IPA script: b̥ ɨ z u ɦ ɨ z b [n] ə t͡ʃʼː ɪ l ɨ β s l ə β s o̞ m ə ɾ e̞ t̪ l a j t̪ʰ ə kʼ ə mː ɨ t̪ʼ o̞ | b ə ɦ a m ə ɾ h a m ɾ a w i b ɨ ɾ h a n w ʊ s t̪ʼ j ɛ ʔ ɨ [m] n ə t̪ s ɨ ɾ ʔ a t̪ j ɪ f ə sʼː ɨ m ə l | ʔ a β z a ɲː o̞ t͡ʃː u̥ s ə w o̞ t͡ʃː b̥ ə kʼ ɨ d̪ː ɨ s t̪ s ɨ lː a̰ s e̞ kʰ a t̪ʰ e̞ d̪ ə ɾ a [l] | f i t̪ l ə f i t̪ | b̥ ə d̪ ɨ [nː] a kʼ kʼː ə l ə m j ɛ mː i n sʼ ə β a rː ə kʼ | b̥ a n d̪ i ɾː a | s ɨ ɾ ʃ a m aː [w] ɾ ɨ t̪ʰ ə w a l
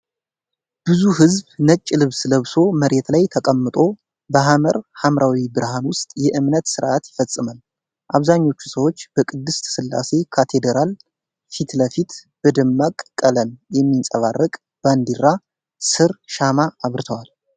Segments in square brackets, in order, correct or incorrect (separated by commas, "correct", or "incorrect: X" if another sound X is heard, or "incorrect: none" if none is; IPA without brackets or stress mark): correct, correct, correct, incorrect: mː, incorrect: β